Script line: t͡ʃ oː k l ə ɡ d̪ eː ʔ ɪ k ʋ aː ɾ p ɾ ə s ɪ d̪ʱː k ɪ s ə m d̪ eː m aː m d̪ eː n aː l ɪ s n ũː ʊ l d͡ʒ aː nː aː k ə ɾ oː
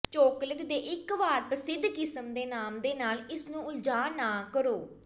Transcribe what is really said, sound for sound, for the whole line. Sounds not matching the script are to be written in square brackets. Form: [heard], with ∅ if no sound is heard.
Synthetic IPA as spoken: t͡ʃ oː k l ə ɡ d̪ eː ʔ ɪ k ʋ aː ɾ p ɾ ə s ɪ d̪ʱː k ɪ s ə m d̪ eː [n] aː m d̪ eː n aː l ɪ s n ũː ʊ l d͡ʒ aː [n] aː k ə ɾ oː